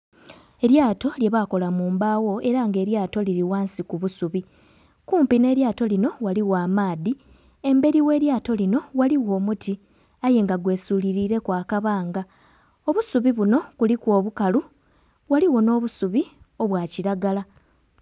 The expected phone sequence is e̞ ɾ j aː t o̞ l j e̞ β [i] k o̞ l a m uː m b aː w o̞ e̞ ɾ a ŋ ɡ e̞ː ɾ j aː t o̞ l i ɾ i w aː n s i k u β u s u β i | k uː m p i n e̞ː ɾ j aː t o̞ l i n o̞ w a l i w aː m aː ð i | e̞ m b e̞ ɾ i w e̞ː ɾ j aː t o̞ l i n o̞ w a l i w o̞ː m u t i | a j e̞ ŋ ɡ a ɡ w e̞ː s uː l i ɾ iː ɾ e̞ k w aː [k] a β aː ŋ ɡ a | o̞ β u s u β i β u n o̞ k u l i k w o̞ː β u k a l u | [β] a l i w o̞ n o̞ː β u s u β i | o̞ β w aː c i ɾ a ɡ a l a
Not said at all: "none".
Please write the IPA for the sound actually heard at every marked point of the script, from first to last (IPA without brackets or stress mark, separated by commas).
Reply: a, k, w